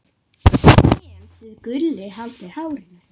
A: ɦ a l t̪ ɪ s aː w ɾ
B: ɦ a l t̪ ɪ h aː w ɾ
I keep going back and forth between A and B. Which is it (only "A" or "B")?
B